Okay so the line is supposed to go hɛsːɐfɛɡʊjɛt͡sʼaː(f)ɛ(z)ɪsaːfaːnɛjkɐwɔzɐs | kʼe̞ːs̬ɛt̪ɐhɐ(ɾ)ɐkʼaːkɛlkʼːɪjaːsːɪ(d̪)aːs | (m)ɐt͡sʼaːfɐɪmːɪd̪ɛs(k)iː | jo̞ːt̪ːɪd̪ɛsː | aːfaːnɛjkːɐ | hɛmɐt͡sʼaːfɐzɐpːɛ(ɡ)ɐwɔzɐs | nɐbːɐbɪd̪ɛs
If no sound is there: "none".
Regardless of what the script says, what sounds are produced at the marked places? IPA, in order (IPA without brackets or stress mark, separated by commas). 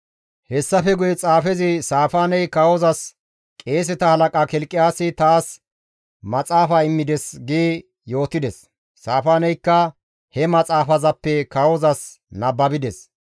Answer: f, z, l, t̪, m, ɡ, k